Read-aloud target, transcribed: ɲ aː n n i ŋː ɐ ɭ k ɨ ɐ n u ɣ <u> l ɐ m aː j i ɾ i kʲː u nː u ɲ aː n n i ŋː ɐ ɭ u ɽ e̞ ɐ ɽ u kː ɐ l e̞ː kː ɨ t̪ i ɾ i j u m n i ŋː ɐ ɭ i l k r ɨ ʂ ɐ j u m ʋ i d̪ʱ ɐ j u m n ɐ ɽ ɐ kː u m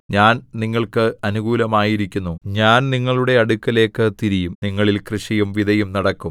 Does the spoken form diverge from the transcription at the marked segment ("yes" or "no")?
yes